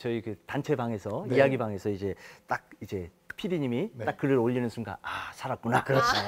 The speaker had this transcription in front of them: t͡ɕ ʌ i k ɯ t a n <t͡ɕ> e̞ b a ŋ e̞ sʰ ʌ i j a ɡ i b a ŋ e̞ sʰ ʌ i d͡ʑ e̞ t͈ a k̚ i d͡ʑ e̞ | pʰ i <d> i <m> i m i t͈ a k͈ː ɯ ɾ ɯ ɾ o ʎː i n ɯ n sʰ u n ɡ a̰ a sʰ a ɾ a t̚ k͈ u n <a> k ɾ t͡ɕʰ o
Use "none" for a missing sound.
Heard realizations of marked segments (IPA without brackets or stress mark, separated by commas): t͡ɕʰ, d, ɲ, a